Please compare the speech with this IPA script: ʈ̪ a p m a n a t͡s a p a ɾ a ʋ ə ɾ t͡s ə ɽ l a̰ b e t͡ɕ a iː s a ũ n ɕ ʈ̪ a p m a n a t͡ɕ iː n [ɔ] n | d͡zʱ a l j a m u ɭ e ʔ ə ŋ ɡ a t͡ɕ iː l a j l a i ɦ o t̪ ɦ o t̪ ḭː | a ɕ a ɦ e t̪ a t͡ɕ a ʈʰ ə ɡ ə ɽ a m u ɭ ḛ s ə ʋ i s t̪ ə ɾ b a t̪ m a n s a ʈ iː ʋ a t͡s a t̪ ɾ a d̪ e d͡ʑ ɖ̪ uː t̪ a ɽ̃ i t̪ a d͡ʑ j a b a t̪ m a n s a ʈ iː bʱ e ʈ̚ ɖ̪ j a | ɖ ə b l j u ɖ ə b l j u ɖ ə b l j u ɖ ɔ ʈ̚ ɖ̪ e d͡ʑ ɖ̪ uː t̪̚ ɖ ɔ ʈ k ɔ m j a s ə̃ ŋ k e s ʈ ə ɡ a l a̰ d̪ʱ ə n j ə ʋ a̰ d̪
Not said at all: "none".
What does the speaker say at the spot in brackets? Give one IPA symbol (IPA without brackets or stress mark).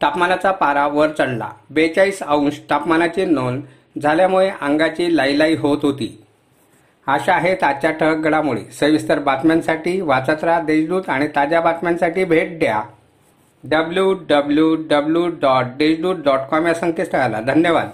o